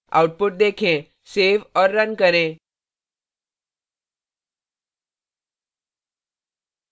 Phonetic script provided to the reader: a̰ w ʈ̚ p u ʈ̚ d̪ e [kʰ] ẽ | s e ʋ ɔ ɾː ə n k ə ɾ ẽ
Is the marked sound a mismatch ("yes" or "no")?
no